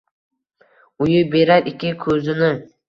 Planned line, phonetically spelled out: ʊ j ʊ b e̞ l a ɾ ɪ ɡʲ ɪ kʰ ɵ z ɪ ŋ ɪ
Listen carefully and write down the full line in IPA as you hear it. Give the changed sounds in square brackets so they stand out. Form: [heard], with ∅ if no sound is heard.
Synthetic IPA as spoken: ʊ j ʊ b e̞ [ɾ] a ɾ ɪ [kʲ] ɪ kʰ ɵ z ɪ [n] ɪ